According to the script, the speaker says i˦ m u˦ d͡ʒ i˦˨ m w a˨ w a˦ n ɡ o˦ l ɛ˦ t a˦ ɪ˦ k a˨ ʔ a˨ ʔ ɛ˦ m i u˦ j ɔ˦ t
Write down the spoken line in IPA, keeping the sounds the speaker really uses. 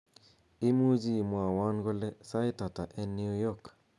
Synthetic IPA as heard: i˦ m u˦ d͡ʒ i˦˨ m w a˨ w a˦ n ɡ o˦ l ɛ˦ s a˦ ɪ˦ t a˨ t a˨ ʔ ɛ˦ n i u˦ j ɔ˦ k